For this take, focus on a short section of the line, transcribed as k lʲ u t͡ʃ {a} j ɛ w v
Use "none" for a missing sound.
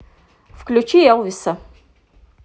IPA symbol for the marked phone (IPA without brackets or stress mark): i